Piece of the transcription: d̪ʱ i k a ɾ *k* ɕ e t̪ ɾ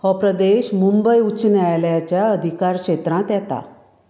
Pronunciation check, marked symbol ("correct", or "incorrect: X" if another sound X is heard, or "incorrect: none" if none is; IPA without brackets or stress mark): correct